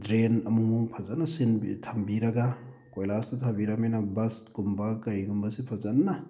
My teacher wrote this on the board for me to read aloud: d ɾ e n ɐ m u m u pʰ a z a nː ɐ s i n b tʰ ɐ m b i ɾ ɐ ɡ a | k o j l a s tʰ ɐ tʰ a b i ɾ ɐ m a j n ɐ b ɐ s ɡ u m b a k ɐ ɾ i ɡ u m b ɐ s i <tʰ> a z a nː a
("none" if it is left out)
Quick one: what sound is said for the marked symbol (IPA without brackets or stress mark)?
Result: pʰ